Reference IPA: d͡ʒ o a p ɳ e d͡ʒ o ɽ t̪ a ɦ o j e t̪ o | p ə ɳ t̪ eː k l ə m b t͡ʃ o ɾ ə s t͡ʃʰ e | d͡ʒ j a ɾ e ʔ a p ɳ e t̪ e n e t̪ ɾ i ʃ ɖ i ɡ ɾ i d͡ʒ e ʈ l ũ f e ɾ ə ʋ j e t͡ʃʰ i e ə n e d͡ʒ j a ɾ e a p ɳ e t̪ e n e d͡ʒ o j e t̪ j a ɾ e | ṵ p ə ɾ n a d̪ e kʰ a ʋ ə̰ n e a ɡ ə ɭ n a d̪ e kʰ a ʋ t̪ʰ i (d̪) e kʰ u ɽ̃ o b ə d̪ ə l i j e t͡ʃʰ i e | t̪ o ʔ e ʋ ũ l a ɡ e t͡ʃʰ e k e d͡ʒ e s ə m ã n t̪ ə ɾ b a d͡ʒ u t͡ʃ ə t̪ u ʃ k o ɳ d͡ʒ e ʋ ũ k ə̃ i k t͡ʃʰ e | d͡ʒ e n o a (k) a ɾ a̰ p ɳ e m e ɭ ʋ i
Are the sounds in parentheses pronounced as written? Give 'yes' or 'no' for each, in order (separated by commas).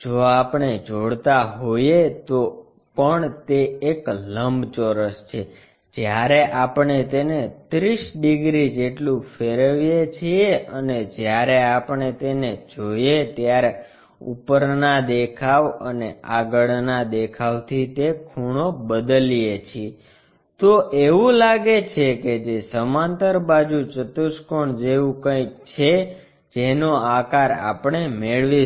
no, yes